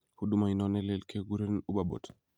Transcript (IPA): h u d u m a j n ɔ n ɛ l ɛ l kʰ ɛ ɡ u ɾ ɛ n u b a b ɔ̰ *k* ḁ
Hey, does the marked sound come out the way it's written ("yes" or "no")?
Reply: no